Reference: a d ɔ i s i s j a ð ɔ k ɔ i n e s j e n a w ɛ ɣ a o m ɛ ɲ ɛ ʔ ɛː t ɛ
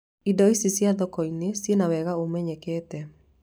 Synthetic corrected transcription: i d ɔ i s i s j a ð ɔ k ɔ i n e s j e n a w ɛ ɣ a o m ɛ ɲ ɛ k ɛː t ɛ